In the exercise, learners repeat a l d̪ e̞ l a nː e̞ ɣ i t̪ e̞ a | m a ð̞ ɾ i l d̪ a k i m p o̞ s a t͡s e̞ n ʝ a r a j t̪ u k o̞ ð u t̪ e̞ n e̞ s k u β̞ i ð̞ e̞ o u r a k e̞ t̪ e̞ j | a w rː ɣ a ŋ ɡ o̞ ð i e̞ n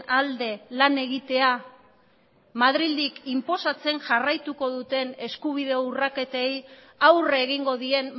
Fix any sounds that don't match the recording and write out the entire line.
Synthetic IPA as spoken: a l d̪ e̞ l a n e̞ ɣ i t̪ e̞ a | m a ð̞ ɾ i l d̪ i k i m p o̞ s a t͡s e̞ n ʝ a r a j t̪ u k o̞ ð u t̪ e̞ n e̞ s k u β̞ i ð̞ e̞ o u r a k e̞ t̪ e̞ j | a w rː ɣ i ŋ ɡ o̞ ð i e̞ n